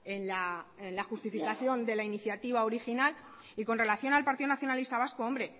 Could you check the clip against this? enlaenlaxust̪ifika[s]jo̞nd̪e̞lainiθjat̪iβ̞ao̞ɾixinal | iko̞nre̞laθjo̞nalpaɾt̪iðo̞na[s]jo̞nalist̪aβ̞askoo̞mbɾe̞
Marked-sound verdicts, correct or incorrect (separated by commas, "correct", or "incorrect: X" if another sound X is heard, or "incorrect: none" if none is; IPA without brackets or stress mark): incorrect: θ, incorrect: θ